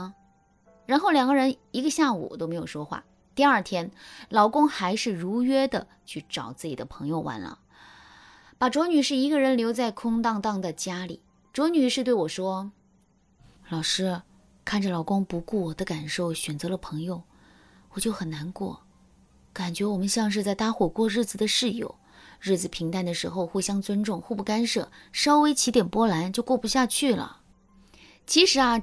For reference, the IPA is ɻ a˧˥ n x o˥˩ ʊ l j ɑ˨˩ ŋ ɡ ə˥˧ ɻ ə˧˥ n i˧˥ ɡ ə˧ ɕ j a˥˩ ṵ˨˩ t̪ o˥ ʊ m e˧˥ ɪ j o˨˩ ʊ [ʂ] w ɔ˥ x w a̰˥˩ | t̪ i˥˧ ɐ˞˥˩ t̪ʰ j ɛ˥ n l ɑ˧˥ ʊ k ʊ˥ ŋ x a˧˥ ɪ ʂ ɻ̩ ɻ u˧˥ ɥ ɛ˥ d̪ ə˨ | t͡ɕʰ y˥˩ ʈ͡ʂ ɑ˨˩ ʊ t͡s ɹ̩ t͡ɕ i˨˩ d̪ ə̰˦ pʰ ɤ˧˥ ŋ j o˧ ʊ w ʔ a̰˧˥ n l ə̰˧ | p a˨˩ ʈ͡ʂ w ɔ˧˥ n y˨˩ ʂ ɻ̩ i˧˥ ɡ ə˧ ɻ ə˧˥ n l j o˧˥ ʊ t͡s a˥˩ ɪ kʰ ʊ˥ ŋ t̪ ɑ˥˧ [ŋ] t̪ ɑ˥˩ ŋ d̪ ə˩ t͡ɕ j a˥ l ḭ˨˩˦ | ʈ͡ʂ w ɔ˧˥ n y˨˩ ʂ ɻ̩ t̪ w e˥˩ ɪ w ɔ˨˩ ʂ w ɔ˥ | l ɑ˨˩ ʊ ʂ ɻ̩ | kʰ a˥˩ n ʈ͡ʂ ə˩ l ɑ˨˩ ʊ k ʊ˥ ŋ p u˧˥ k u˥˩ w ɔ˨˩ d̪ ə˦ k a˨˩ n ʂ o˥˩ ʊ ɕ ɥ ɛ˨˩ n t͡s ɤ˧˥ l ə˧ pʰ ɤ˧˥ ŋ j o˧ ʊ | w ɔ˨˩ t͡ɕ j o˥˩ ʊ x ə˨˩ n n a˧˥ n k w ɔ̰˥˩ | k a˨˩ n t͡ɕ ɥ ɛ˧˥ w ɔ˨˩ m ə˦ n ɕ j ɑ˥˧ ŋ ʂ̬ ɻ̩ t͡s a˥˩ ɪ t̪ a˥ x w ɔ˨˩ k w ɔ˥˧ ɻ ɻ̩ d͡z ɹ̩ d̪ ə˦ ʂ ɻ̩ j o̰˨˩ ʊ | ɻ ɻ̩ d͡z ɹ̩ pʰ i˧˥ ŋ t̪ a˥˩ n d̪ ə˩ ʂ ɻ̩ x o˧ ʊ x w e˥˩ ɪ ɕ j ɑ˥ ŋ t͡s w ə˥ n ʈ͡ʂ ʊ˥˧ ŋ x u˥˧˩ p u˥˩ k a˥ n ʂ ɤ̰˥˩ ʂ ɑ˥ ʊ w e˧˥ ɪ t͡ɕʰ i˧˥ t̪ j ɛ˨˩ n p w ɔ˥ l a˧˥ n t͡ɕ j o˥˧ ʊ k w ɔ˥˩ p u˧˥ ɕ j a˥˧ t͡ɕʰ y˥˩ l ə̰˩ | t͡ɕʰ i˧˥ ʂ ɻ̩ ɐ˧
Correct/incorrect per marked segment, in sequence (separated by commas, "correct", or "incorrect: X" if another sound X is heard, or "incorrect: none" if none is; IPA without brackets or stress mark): correct, correct